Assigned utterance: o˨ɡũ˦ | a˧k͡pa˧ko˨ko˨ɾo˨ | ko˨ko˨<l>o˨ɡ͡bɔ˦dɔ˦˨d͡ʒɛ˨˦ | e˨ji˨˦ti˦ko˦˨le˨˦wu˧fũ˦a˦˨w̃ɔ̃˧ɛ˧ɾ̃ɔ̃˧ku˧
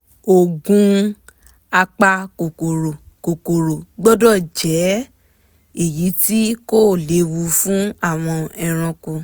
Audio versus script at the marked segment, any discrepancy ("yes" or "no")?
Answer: yes